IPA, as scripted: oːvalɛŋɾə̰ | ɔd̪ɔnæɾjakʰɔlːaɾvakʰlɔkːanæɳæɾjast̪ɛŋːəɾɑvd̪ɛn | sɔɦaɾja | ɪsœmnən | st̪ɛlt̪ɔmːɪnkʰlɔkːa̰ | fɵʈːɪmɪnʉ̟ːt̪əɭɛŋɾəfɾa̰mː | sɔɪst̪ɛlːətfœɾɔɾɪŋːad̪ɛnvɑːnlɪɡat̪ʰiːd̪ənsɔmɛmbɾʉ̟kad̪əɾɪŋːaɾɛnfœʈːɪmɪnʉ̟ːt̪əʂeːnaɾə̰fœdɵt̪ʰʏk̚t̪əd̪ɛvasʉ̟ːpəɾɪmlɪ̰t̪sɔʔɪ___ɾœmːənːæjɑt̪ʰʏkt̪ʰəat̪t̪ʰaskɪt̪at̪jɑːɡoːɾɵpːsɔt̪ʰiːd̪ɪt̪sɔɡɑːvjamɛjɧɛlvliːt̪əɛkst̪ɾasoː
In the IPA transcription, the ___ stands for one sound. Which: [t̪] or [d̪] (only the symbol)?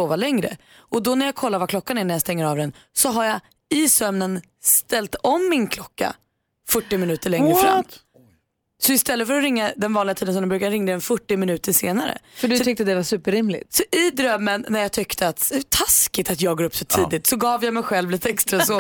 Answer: d̪